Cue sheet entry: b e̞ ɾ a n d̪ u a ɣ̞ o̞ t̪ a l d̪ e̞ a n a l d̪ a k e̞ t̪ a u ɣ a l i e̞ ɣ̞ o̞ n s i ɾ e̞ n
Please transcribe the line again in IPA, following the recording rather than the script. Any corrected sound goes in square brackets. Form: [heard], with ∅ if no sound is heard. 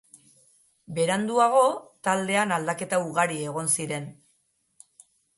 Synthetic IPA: b e̞ ɾ a n d̪ u a ɣ̞ o̞ t̪ a l d̪ e̞ a n a l d̪ a k e̞ t̪ a u ɣ a [ɾ] i e̞ ɣ̞ o̞ n s i ɾ e̞ n